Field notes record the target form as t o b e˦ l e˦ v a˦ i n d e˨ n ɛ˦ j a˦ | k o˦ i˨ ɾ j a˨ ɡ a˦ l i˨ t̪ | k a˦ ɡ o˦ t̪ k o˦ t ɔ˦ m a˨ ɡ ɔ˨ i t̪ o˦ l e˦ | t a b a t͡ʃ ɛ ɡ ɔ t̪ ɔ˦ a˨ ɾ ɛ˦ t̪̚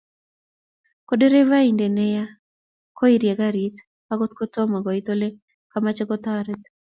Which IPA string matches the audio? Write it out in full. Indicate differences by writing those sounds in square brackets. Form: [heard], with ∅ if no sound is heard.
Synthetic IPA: [k] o [d] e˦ [ɾ] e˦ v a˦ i n d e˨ n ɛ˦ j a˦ | k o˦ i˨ ɾ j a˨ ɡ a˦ [ɾ] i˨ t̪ | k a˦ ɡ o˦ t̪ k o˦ t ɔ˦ m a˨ ɡ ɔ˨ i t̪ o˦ l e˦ | [k] a [m] a t͡ʃ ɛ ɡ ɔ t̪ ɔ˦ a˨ ɾ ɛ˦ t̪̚